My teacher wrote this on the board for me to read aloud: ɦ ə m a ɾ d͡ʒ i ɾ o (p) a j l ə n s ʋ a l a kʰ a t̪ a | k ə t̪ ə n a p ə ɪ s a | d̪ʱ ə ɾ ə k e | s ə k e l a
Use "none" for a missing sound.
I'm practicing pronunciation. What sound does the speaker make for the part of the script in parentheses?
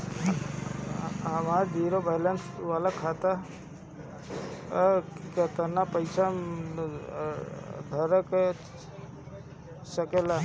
b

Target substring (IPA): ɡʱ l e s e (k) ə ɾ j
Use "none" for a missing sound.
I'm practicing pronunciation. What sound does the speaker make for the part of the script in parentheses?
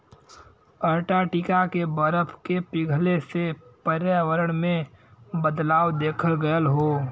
p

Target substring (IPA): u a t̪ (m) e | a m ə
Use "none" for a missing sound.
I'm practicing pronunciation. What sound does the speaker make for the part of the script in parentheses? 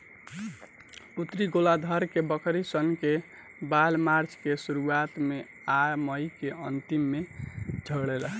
m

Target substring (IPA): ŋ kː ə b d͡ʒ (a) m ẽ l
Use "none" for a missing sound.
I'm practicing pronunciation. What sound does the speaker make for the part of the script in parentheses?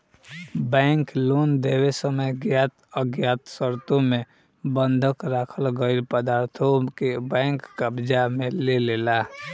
a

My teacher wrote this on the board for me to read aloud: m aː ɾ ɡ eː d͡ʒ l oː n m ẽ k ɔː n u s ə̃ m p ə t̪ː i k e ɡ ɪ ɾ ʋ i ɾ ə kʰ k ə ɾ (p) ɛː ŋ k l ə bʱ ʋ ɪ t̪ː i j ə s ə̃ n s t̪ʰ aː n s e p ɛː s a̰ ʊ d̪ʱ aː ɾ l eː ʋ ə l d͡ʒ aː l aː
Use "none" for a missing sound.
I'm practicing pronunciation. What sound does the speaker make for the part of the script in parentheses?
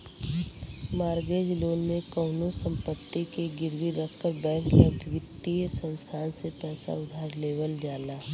b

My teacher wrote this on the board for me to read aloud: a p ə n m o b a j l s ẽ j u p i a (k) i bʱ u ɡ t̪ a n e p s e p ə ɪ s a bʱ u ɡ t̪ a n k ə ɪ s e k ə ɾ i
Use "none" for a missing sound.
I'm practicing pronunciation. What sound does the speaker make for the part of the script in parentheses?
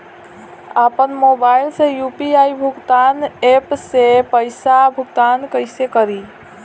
none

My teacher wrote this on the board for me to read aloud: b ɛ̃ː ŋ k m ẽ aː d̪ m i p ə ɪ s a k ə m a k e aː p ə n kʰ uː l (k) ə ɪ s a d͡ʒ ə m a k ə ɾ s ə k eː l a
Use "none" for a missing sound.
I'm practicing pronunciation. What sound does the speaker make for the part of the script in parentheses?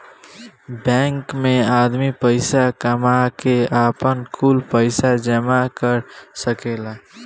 p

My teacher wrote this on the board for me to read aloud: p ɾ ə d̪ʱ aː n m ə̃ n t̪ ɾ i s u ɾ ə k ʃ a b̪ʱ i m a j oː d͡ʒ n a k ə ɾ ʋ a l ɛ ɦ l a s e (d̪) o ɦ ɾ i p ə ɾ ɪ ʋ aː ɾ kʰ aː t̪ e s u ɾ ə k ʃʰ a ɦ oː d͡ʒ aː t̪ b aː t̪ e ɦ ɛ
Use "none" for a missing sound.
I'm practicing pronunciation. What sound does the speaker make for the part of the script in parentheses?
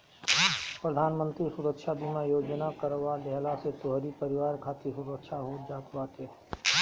t̪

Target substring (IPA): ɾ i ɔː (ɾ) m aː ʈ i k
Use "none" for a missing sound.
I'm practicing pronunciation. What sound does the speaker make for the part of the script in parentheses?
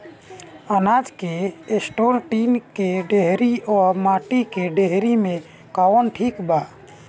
ɾ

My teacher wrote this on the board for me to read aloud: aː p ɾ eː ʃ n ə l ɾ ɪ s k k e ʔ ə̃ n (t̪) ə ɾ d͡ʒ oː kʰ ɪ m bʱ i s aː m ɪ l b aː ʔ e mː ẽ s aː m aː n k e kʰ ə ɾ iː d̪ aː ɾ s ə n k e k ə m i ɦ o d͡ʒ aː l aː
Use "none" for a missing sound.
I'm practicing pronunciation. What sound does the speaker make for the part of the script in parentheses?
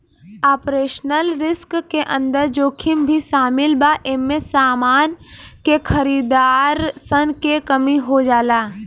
d̪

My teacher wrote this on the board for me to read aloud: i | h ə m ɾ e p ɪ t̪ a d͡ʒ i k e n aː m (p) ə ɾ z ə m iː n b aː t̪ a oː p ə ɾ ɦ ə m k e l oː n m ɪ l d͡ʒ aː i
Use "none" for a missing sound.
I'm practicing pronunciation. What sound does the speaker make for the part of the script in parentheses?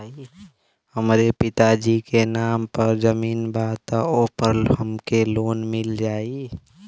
p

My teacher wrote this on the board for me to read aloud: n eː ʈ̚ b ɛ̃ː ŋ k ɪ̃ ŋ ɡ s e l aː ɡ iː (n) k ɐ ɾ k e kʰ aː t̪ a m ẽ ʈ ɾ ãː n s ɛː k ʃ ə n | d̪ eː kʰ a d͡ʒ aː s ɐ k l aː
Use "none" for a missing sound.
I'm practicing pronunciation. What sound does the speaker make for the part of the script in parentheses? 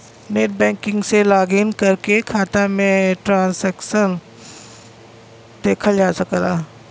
n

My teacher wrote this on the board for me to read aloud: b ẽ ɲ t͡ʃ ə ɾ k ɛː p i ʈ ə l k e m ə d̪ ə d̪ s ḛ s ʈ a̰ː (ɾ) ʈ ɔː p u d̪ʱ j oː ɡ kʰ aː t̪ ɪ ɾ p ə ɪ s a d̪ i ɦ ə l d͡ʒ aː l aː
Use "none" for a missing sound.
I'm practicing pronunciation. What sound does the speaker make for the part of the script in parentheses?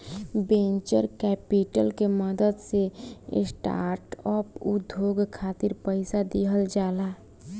ɾ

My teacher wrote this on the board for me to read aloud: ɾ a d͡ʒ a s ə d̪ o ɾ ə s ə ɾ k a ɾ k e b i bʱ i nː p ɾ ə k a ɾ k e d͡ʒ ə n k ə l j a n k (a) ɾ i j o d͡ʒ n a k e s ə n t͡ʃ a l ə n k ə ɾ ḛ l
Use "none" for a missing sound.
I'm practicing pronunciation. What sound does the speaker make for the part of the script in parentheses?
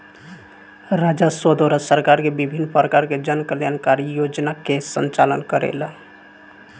a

